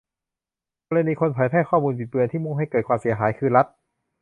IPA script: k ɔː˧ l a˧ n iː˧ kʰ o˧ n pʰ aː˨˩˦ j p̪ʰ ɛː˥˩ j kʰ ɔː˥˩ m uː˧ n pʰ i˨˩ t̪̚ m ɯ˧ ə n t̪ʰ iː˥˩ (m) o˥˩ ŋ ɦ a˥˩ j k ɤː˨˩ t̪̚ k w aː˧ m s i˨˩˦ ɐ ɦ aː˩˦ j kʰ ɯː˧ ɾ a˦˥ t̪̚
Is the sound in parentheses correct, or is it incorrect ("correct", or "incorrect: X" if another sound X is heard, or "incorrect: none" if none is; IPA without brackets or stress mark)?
correct